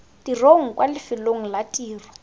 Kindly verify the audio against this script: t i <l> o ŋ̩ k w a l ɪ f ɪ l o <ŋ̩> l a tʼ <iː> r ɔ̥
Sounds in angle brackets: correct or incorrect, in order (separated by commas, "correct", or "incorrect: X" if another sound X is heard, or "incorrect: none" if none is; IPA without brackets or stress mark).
incorrect: r, correct, correct